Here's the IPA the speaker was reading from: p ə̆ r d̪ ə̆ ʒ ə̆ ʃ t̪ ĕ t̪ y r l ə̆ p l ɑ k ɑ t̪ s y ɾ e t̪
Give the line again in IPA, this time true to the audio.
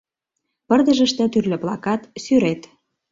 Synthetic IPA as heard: p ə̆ r d̪ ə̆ ʒ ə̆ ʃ t̪ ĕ t̪ y r l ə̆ p l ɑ k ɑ t̪ s y ɾ e t̪

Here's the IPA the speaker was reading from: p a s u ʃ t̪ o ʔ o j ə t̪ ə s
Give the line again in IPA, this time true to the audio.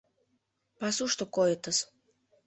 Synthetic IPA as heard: p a s u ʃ t̪ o k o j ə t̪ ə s

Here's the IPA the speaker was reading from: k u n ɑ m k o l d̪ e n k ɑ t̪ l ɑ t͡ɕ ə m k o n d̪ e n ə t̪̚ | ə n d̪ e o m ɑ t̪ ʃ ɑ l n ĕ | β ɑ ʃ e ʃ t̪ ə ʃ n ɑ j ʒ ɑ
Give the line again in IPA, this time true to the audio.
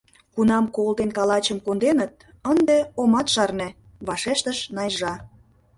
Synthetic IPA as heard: k u n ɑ m k o l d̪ e n k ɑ l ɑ t͡ɕ ə m k o n d̪ e n ə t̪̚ | ə n d̪ e o m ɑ t̪ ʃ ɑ r n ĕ | β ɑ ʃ e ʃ t̪ ə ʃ n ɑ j ʒ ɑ

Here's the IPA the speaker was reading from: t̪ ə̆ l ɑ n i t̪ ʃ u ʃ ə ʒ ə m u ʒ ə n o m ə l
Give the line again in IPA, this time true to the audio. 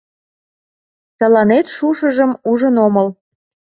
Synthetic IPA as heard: t̪ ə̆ l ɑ n e t̪ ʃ u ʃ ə ʒ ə m u ʒ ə n o m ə l

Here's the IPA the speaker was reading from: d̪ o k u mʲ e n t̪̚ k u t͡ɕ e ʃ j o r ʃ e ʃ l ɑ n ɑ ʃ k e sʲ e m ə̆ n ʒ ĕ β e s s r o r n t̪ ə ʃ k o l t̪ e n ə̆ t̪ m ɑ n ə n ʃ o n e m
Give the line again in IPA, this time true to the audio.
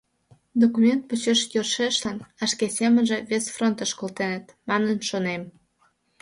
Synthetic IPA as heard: d̪ o k u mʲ e n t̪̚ p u t͡ɕ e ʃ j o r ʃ e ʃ l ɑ n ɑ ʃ k e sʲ e m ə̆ n ʒ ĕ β e s f r o n t̪ ə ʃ k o l t̪ e n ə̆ t̪ m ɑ n ə n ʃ o n e m

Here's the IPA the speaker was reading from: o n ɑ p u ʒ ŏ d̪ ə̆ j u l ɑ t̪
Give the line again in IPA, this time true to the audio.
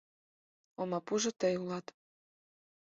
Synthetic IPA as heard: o m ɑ p u ʒ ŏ t̪ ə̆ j u l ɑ t̪

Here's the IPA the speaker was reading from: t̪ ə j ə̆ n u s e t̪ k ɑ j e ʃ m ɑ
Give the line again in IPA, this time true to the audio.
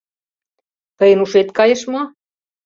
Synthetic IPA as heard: t̪ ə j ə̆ n u ʃ e t̪ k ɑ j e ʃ m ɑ

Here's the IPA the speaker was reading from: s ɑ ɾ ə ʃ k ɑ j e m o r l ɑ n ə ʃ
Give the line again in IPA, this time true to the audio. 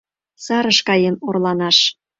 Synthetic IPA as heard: s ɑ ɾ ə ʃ k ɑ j e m o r l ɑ n ɑ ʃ

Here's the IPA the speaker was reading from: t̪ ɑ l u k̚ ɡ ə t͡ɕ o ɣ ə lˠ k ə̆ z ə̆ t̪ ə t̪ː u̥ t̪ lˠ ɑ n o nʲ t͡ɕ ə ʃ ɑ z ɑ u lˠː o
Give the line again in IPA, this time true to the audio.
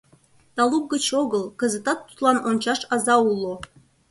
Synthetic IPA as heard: t̪ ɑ l u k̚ ɡ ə t͡ɕ o ɣ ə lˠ k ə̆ z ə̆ t̪ ɑ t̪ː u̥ t̪ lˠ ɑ n o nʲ t͡ɕ ɑ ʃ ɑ z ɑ u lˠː o

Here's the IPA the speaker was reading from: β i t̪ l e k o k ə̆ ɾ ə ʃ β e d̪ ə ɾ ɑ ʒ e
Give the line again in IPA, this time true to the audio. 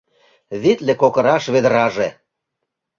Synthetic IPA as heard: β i t̪ l e k o k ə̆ ɾ ɑ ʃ β e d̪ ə ɾ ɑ ʒ e

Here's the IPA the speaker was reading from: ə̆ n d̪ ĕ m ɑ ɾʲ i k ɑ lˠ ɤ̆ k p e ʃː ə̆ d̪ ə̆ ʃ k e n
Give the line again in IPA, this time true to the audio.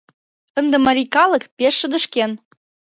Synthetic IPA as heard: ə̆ n d̪ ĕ m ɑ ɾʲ i k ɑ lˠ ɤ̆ k p e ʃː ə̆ d̪ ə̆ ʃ k e n

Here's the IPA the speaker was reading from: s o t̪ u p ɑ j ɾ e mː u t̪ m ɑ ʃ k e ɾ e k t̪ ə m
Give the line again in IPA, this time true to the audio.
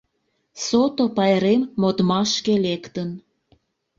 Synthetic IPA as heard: s o t̪ o p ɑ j ɾ e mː o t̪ m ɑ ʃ k e l e k t̪ ə n

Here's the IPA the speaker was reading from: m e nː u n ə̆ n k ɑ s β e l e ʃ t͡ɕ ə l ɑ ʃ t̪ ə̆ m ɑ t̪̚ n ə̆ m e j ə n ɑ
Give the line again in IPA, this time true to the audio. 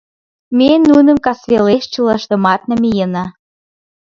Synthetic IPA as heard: m e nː u n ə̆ m k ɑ s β e l e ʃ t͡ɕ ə l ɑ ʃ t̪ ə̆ m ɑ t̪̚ n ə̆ m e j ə n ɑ

